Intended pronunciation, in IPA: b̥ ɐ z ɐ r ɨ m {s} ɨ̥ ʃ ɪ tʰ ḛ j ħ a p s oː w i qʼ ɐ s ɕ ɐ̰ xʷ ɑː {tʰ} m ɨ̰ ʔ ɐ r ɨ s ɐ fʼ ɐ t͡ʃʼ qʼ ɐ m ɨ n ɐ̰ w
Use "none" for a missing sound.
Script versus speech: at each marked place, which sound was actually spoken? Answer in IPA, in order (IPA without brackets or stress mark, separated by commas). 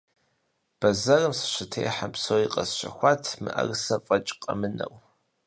s, tʰ